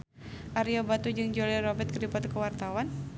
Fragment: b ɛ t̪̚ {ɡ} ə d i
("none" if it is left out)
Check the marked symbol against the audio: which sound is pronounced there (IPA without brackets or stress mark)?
k